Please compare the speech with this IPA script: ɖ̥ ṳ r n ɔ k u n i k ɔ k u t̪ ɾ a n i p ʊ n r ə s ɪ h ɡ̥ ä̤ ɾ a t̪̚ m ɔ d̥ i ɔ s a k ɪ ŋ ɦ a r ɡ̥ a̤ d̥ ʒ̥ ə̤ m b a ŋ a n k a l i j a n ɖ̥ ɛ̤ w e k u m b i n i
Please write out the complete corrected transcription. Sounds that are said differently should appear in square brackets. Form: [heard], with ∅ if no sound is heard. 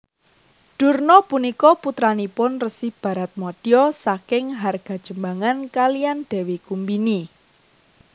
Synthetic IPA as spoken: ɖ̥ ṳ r n ɔ [p] u n i k ɔ [p] u t̪ ɾ a n i p ʊ n r ə s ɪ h [b̥] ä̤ ɾ a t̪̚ m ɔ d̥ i ɔ s a k ɪ ŋ ɦ a r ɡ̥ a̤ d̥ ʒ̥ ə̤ m b a ŋ a n k a l i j a n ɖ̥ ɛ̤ w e k u m b i n i